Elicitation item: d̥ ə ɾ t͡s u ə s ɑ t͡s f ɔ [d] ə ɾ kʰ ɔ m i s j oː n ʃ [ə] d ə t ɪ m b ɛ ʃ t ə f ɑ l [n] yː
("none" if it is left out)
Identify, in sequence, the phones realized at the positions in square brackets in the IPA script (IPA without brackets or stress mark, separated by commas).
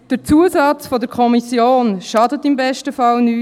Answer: d, ɑ, n